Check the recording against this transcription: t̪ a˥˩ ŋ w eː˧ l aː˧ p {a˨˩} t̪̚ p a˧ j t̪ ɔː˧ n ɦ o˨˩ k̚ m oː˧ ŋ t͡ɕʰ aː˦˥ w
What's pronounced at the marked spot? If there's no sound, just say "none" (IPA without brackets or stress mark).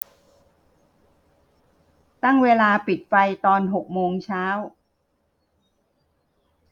i˨˩